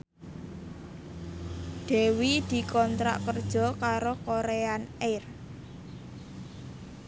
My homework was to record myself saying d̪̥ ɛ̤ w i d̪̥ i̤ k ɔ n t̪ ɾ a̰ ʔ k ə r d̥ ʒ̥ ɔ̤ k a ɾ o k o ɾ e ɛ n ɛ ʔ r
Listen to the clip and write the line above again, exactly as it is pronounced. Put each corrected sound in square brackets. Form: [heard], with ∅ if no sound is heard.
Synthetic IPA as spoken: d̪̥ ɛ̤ w i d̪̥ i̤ k ɔ n t̪ ɾ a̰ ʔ k ə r d̥ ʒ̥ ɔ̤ k a ɾ o k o ɾ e [a] n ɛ [∅] r